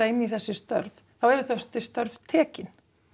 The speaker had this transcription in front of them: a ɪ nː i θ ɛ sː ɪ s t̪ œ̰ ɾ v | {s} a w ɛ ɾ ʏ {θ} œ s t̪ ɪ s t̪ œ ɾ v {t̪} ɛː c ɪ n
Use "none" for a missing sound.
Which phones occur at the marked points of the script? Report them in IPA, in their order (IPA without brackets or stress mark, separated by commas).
θ, θ, t̪ʰ